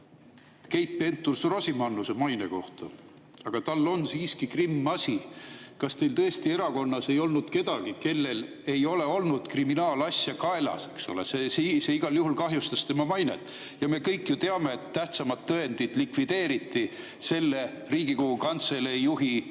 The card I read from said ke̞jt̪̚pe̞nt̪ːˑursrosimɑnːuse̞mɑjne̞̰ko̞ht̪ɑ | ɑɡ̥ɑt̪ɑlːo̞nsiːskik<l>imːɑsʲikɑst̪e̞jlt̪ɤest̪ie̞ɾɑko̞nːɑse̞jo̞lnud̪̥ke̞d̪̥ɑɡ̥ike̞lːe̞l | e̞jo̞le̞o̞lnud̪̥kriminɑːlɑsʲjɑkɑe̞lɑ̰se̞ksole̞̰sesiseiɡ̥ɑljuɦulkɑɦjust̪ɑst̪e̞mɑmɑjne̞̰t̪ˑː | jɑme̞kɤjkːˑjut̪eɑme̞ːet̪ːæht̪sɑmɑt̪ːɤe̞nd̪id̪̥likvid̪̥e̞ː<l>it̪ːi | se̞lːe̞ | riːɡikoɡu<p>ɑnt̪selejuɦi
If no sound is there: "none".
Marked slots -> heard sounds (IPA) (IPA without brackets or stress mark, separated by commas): r, ɾ, k